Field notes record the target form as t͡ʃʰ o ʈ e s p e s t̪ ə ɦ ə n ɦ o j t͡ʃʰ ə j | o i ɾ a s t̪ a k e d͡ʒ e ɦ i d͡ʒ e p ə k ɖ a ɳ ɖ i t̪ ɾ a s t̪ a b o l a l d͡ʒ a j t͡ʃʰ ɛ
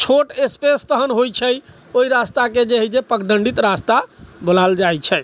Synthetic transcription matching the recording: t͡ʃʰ o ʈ e s p e s t̪ ə ɦ ə n ɦ o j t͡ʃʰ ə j | o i ɾ a s t̪ a k e d͡ʒ e ɦ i d͡ʒ e p ə k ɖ ə ɳ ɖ i t̪ ɾ a s t̪ a b o l a l d͡ʒ a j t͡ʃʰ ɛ